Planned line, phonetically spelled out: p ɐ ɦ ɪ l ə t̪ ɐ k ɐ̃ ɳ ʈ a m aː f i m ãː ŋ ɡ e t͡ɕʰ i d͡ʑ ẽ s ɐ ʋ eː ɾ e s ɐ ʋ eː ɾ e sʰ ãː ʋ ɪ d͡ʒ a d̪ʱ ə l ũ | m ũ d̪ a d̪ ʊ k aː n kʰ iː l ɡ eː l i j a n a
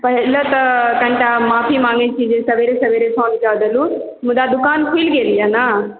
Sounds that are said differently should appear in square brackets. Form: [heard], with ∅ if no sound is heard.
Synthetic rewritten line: p ɐ ɦ ɪ l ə t̪ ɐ k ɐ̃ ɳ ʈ a m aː f i m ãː ŋ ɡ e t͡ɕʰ i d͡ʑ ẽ s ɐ ʋ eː ɾ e s ɐ ʋ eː ɾ e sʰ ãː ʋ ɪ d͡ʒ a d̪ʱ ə l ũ | m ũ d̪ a d̪ ʊ k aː n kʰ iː l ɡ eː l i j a n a

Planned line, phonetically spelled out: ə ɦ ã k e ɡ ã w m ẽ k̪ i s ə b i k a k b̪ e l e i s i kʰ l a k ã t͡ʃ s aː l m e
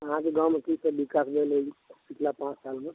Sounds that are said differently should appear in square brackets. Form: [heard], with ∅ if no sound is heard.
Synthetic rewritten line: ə ɦ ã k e ɡ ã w m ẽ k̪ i s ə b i k a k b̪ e l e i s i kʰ l a [p] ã t͡ʃ s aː l m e

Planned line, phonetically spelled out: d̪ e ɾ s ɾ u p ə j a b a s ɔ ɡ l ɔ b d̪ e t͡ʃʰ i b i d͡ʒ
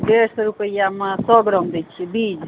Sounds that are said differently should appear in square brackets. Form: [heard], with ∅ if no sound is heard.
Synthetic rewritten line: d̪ e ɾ s ɾ u p ə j a [m] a s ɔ ɡ [ɾ] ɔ [m] d̪ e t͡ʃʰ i b i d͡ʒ

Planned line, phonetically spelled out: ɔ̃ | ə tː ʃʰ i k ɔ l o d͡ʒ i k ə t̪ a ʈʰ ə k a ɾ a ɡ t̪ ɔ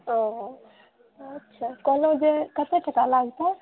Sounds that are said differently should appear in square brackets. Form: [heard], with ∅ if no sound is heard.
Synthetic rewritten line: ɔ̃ | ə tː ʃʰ [a] k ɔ l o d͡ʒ [e] k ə t̪ [e] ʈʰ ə k a [l] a ɡ t̪ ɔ

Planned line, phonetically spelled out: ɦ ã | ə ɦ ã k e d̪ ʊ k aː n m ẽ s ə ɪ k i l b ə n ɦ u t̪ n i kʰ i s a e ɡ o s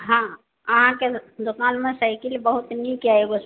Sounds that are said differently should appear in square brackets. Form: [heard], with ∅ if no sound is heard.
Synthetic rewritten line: ɦ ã | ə ɦ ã k e d̪ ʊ k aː n m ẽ s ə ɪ k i l b ə [∅] ɦ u t̪ n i [k] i [∅] a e ɡ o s

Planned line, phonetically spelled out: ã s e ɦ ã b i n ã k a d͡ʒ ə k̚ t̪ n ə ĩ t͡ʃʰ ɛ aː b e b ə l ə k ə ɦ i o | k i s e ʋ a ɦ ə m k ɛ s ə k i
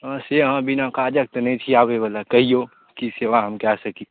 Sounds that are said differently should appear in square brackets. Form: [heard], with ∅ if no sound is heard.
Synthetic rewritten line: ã s e ɦ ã b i n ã k a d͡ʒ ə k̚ t̪ n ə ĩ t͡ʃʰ [i] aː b e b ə l [a] k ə ɦ i o | k i s e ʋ a ɦ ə m k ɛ s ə k i

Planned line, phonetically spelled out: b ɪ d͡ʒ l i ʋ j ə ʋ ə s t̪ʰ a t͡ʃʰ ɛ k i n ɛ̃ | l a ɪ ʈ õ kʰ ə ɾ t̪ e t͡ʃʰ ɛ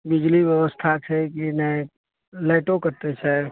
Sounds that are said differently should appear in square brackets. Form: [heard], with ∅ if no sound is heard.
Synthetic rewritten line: b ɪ d͡ʒ l i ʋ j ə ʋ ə s t̪ʰ a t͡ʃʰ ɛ k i n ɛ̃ | l a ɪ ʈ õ [k] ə ɾ t̪ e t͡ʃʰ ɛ

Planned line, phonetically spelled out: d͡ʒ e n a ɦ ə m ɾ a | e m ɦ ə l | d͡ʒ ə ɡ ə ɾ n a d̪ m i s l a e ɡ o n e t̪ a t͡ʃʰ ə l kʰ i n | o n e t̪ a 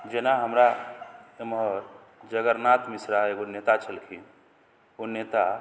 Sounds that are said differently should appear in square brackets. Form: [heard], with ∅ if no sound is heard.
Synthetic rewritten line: d͡ʒ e n a ɦ ə m ɾ a | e m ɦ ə [ɾ] | d͡ʒ ə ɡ ə ɾ n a [t̪] m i s [ɾ] a e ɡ o n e t̪ a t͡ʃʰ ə l kʰ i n | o n e t̪ a

